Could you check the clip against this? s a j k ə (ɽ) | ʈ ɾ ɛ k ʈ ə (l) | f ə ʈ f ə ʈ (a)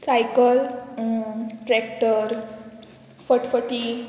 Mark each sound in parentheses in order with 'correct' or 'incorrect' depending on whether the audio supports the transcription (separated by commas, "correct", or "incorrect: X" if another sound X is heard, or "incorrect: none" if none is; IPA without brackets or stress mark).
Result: incorrect: l, incorrect: ɾ, incorrect: i